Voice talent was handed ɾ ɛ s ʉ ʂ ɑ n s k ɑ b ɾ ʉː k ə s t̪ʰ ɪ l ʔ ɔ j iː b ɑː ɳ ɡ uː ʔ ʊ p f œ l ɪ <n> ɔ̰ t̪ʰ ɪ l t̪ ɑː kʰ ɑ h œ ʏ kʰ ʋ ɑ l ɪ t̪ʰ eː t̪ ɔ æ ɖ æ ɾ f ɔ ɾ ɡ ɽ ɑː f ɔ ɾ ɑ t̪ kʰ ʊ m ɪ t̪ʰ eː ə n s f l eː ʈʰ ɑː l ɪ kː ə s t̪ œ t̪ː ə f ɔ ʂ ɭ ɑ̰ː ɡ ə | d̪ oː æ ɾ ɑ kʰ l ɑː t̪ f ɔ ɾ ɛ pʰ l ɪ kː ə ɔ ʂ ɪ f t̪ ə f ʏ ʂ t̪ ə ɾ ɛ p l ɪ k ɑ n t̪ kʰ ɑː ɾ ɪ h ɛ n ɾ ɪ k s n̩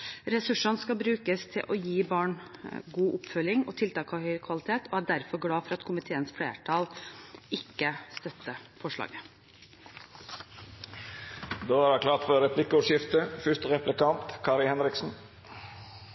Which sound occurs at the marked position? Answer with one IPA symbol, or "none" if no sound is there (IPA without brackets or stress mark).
ŋ